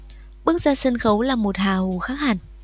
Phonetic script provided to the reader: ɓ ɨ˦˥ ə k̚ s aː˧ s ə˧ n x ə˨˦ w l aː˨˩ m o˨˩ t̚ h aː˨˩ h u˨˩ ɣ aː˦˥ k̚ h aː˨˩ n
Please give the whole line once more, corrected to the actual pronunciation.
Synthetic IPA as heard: ɓ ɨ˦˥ ə k̚ z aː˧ s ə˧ n x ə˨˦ w l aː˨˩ m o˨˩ t̚ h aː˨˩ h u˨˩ x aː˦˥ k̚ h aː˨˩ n

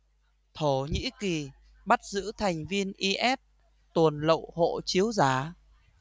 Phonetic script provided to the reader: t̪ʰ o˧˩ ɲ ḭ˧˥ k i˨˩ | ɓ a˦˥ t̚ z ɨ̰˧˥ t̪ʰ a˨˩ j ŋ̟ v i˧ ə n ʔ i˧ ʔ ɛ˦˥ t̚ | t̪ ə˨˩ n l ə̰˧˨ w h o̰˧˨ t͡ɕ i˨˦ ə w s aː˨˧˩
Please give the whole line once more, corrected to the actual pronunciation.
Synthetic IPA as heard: t̪ʰ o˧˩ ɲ ḭ˧˥ k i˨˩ | ɓ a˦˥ t̚ z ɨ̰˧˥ t̪ʰ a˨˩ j ŋ̟ v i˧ ə n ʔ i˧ ʔ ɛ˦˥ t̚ | t̪ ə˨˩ n l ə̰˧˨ w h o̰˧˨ t͡ɕ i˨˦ ə w z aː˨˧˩

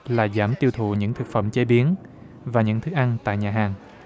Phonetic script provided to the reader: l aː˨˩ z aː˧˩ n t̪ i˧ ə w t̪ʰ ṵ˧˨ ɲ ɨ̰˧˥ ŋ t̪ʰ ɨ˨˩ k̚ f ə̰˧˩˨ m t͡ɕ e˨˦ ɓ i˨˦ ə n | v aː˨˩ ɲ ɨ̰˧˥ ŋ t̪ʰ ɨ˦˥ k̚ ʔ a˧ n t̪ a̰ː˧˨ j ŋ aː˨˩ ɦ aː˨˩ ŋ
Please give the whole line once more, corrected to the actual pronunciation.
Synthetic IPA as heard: l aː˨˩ z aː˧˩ m t̪ i˧ ə w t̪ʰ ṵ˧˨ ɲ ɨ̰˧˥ ŋ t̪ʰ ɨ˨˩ k̚ f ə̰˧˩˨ m t͡ɕ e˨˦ ɓ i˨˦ ə n | v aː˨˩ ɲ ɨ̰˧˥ ŋ t̪ʰ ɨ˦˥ k̚ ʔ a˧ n t̪ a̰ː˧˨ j ɲ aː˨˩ ɦ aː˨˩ ŋ

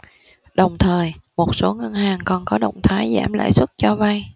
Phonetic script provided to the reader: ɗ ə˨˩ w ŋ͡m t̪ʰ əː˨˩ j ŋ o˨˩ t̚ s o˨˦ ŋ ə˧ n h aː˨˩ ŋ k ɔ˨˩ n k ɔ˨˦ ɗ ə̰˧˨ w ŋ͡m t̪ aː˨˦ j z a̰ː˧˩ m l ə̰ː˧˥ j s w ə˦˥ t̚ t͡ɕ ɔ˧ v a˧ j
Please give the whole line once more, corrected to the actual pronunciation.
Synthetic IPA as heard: ɗ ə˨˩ w ŋ͡m t̪ʰ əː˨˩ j m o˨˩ t̚ s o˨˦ ŋ ə˧ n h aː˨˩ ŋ k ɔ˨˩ n k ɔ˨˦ ɗ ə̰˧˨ w ŋ͡m t̪ʰ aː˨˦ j z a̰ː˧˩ m l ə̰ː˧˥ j s w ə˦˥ t̚ t͡ɕ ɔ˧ v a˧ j

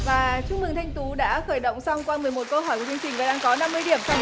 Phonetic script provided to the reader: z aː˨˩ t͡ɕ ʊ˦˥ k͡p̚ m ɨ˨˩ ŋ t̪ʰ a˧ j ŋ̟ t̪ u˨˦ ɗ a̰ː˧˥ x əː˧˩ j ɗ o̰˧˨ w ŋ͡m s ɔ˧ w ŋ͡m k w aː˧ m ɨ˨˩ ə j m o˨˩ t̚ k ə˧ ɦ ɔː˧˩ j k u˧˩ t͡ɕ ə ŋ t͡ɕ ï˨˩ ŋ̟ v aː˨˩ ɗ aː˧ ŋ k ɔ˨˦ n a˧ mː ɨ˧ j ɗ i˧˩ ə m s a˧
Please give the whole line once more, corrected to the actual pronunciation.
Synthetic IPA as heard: v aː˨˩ t͡ɕ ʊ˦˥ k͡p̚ m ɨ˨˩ ŋ t̪ʰ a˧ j ŋ̟ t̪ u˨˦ ɗ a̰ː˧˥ x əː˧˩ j ɗ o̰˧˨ w ŋ͡m s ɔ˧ w ŋ͡m k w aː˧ m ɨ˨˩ ə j m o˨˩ t̚ k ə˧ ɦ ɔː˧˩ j k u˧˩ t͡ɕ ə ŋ t͡ɕ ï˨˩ ŋ̟ v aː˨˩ ɗ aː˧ ŋ k ɔ˨˦ n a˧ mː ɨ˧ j ɗ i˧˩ ə m s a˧

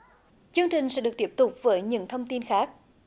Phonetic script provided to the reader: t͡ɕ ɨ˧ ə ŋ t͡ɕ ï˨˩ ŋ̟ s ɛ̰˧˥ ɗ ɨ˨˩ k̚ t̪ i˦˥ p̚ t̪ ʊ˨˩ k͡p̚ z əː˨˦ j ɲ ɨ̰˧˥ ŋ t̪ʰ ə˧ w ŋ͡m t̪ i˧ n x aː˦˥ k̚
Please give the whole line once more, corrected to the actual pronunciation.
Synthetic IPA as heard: t͡ɕ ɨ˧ ə ŋ t͡ɕ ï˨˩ ŋ̟ s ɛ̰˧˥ ɗ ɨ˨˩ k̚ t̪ i˦˥ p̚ t̪ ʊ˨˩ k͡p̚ v əː˨˦ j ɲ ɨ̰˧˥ ŋ t̪ʰ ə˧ w ŋ͡m t̪ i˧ n x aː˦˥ k̚

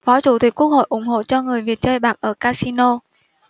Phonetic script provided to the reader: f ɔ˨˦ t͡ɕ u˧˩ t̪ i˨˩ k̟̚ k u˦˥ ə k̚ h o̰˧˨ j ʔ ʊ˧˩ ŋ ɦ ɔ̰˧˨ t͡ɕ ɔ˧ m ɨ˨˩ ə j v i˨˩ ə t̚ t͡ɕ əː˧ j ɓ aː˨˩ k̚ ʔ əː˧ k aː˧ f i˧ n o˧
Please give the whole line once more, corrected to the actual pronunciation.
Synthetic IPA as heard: f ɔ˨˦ t͡ɕ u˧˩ t̪ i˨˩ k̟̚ k u˦˥ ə k̚ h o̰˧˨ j ʔ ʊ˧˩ ŋ͡m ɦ o̰˧˨ t͡ɕ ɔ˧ ŋ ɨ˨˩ ə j v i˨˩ ə t̚ t͡ɕ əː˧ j ɓ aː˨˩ k̚ ʔ əː˧˩ k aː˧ s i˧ n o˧

